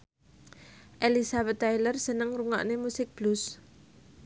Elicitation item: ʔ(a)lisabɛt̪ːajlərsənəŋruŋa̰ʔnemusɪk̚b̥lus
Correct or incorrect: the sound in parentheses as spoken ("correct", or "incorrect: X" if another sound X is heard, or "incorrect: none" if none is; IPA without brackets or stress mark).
incorrect: e